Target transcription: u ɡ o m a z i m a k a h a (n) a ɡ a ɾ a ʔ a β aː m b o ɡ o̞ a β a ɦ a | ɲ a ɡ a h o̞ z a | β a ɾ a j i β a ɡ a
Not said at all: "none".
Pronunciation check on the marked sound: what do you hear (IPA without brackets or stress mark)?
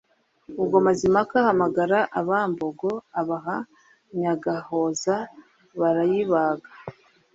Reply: m